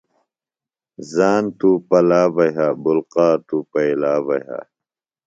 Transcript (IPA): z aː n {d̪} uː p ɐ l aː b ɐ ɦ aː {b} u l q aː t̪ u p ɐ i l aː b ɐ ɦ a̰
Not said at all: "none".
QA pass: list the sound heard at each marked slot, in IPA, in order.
t̪, b

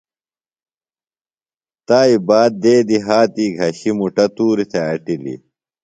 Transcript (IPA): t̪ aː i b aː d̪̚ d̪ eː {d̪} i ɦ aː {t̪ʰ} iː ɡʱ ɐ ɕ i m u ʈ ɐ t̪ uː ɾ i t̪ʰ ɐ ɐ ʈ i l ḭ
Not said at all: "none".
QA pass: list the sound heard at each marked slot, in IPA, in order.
d̪, t̪

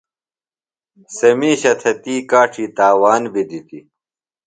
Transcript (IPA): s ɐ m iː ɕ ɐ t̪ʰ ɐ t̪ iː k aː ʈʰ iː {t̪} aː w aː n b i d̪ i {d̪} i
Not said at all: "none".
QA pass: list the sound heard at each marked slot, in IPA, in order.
t̪, t̪

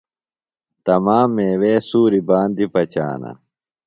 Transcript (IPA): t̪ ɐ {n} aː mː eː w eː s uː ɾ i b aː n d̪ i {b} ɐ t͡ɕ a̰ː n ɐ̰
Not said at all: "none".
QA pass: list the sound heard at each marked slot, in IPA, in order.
m, p

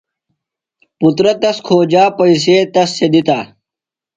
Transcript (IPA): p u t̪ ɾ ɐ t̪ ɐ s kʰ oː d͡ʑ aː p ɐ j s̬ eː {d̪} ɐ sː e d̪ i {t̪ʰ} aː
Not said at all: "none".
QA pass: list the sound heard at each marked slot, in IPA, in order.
t̪, t̪

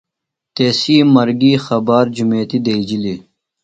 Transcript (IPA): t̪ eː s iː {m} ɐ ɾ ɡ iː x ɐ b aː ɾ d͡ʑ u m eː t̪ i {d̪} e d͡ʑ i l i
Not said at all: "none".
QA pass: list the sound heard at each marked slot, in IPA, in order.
m, d̪

